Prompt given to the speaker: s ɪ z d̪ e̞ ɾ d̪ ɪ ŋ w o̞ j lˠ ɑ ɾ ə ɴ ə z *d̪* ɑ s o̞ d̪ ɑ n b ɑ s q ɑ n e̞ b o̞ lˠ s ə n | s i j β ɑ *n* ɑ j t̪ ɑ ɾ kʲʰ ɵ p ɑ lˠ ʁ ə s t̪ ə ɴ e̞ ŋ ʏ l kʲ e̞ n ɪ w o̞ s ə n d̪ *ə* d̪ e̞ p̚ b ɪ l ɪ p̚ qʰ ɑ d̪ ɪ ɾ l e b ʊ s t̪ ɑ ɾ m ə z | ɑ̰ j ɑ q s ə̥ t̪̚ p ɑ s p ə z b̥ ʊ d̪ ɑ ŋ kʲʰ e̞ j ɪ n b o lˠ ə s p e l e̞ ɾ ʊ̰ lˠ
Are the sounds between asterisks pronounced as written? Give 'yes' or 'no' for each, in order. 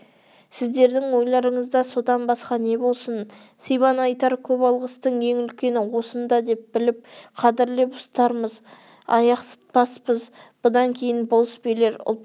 yes, yes, no

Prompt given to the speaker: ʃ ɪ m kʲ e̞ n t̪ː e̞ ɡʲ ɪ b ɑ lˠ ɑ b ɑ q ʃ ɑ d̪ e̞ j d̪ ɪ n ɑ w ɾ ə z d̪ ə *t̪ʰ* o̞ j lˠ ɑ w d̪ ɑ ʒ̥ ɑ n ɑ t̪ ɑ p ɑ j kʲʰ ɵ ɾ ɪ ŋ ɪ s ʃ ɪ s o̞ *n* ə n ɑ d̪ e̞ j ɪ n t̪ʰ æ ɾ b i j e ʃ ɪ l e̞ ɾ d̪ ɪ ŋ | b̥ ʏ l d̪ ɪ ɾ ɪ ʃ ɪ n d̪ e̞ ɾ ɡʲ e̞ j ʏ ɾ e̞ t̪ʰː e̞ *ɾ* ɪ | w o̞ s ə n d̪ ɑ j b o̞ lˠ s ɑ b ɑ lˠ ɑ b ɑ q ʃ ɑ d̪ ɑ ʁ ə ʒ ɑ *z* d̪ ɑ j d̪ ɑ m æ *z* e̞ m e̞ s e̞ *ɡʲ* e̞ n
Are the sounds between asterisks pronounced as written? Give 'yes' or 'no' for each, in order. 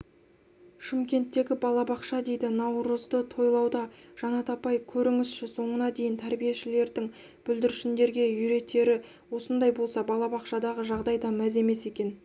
yes, no, yes, no, yes, no

